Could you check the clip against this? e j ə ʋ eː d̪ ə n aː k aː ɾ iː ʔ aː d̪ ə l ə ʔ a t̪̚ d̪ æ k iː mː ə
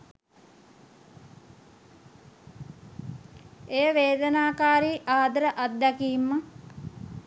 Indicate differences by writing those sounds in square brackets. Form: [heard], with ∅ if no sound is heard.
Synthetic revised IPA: e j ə ʋ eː d̪ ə n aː k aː ɾ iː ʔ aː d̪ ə [ɾ] ə ʔ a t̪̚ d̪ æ k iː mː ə